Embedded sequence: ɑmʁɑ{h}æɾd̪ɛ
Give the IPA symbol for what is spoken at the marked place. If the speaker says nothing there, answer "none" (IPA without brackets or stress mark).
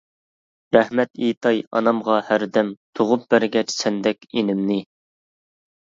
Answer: h